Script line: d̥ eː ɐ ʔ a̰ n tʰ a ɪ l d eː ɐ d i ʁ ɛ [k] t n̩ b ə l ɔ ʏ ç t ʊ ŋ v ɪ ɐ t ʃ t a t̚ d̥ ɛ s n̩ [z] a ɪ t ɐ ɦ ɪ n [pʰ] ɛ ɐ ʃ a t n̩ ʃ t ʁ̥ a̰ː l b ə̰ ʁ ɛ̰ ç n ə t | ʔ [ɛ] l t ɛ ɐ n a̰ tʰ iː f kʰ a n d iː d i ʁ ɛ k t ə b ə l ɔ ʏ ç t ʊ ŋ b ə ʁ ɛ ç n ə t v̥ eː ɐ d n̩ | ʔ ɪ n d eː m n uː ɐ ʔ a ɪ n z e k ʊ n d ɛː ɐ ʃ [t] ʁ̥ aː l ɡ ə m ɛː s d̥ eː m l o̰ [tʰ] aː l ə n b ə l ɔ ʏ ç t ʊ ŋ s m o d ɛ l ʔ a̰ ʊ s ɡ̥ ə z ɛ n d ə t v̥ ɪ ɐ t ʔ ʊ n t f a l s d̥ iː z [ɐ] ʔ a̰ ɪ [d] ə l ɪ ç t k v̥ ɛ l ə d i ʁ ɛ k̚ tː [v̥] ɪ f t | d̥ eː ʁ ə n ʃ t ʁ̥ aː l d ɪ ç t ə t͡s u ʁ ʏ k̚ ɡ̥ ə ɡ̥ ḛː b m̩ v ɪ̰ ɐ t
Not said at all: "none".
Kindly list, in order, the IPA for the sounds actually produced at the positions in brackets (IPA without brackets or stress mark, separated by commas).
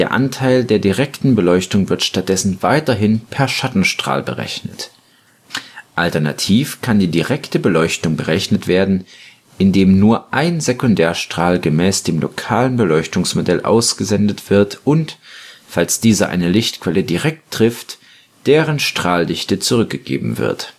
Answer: k, v, pʰ, a, t, kʰ, ɐ, n, ʁ̥